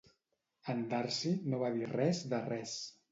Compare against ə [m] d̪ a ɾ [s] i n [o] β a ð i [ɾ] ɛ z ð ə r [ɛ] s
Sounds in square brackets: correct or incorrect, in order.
incorrect, correct, correct, incorrect, correct

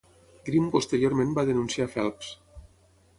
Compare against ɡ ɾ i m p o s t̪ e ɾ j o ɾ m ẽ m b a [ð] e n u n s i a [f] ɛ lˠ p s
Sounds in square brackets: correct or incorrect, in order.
correct, correct

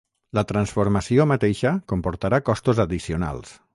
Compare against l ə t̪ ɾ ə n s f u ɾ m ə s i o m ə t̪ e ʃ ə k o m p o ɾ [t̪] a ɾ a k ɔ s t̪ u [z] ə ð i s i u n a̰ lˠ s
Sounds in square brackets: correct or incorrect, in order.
correct, correct

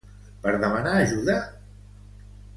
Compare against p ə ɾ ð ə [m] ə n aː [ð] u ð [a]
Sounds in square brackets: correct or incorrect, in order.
correct, incorrect, correct

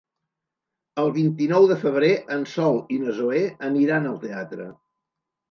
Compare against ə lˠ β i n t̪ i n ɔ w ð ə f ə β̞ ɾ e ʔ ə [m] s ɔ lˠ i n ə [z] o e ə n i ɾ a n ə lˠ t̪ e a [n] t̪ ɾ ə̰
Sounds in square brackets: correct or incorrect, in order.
incorrect, correct, incorrect

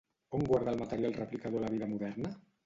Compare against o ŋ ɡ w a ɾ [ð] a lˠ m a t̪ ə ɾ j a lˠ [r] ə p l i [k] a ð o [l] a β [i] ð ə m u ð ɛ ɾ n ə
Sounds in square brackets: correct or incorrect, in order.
correct, correct, correct, correct, correct

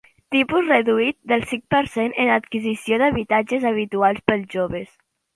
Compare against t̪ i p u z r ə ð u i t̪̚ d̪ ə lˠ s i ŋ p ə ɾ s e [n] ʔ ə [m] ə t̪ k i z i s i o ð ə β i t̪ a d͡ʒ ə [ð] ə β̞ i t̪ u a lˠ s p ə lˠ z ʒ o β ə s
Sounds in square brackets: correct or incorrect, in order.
correct, incorrect, incorrect

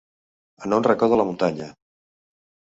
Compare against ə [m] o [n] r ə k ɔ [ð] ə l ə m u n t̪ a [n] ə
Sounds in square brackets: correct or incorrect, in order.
incorrect, correct, correct, incorrect

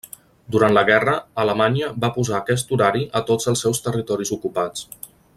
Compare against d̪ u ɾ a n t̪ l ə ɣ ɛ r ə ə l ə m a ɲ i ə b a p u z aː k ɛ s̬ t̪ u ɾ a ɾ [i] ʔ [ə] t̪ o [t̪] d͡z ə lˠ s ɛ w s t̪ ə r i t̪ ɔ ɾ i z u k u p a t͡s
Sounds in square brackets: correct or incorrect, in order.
correct, correct, incorrect

